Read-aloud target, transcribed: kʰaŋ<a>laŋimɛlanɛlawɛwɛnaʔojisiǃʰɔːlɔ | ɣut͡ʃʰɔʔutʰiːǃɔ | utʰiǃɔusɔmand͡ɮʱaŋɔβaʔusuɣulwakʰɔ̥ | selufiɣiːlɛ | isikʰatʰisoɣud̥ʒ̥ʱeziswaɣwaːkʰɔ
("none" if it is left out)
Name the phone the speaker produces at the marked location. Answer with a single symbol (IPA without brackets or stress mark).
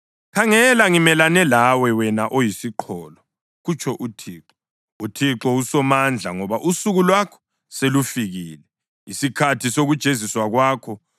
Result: ɛ